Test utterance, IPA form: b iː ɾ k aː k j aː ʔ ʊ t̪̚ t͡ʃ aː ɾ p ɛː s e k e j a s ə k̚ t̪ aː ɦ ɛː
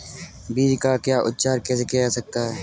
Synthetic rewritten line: b iː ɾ k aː k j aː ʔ ʊ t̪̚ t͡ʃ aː ɾ k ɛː s e k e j a s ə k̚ t̪ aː ɦ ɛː